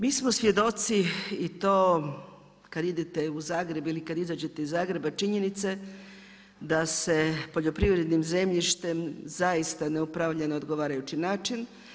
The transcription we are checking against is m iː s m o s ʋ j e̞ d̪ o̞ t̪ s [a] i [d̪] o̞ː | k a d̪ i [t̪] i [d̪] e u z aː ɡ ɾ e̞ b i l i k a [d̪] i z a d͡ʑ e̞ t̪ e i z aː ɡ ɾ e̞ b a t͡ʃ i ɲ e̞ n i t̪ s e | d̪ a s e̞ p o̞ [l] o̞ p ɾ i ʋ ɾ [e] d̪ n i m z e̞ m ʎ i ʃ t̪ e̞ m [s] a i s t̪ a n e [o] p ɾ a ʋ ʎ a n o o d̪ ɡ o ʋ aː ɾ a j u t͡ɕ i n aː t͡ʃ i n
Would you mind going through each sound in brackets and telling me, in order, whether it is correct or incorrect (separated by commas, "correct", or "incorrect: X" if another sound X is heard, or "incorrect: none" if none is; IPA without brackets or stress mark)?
incorrect: i, incorrect: t̪, incorrect: d̪, incorrect: t̪, correct, incorrect: ʎ, correct, incorrect: z, incorrect: u